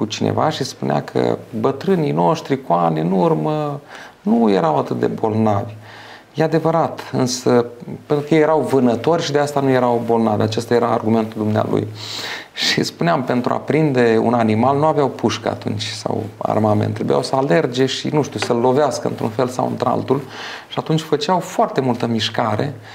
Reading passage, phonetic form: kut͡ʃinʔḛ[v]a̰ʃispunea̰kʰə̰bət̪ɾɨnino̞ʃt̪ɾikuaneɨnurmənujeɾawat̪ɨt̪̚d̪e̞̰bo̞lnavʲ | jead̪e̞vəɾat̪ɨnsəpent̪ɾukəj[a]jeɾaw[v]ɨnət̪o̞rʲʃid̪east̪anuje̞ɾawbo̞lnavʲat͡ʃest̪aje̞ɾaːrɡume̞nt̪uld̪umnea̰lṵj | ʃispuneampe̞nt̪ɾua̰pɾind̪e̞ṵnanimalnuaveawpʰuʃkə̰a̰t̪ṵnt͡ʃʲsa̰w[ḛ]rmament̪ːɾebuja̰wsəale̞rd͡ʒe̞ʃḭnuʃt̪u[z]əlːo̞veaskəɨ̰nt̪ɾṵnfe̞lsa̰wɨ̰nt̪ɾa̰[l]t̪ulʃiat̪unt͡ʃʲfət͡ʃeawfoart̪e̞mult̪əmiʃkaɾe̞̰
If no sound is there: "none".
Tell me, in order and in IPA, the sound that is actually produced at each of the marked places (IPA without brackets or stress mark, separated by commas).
v, e, v, a̰, s, l